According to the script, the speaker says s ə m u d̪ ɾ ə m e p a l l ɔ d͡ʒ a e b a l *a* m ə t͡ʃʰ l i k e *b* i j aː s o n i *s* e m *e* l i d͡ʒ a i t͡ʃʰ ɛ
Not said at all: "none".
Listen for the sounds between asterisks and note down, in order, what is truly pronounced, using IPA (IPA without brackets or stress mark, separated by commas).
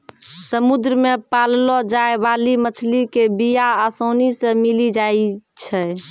i, b, s, i